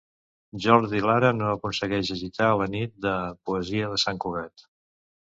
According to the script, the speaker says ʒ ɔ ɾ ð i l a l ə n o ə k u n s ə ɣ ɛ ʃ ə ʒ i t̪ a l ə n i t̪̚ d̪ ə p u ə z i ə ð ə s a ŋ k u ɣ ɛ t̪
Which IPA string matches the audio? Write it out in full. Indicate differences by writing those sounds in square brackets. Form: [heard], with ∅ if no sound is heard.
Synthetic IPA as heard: ʒ ɔ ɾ ð i l a [ɾ] ə n o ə k u n s ə ɣ ɛ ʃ ə ʒ i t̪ a l ə n i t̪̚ d̪ ə p u ə z i ə ð ə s a ŋ k u ɣ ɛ t̪